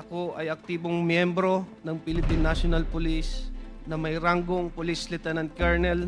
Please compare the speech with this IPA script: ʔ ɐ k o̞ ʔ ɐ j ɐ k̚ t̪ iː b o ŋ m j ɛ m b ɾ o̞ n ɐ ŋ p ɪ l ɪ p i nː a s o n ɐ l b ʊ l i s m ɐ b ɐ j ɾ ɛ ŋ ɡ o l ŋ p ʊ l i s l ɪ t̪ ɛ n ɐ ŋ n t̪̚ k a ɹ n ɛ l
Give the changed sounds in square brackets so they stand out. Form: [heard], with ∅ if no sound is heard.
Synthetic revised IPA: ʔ ɐ k o̞ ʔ ɐ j ɐ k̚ t̪ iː b o ŋ m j ɛ m b ɾ o̞ n ɐ ŋ p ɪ l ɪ p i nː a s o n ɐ l [p] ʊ l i s [n] ɐ [m] ɐ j ɾ [a] ŋ ɡ o [∅] ŋ p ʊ l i s l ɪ t̪ ɛ n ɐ [∅] n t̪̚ k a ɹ n ɛ l